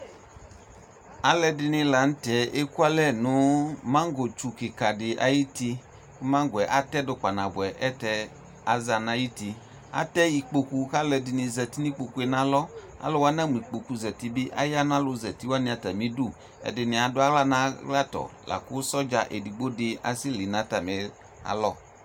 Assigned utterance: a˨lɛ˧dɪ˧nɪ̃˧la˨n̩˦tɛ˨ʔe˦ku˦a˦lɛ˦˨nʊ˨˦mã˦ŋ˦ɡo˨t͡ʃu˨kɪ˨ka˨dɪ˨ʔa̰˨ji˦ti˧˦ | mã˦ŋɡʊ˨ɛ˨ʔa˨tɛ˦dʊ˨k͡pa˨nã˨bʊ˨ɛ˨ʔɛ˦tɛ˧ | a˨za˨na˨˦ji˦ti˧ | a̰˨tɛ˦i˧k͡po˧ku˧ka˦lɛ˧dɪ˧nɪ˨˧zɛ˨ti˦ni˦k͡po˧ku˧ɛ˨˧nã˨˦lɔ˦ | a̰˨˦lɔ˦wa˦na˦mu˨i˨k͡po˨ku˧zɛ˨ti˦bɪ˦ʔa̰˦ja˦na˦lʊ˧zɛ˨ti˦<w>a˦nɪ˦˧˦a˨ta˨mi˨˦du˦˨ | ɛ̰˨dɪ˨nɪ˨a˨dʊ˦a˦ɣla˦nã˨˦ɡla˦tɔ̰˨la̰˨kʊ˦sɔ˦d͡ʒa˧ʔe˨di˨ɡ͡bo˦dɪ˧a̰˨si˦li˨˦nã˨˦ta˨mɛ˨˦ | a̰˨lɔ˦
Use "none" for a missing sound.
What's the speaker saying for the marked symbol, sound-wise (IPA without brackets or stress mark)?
w